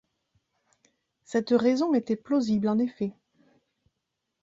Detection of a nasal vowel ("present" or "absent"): present